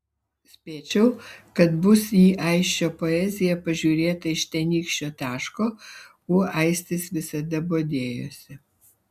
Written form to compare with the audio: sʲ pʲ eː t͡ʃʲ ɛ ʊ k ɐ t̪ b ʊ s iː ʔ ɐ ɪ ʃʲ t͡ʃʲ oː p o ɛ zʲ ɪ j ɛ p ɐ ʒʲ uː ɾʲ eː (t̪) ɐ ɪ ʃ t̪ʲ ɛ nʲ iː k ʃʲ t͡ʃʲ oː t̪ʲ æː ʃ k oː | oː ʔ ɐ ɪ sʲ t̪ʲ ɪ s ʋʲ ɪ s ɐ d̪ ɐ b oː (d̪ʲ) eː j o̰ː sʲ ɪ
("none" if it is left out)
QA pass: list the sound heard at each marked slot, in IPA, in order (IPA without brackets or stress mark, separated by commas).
t̪, d̪ʲ